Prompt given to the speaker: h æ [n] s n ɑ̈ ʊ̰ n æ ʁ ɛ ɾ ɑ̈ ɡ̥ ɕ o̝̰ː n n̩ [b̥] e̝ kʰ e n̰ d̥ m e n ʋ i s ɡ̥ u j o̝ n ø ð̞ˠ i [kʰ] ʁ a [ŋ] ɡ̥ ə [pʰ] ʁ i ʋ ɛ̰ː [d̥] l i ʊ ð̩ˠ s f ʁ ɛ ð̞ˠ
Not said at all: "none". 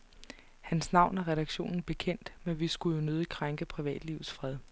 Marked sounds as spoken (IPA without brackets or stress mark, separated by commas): n, b̥, kʰ, ŋ, pʰ, d̥